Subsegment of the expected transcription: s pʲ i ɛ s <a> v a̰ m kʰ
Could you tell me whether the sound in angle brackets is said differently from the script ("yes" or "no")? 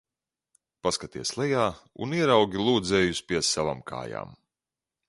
no